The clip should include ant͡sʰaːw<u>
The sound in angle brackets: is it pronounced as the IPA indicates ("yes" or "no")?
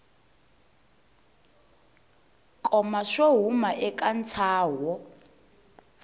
no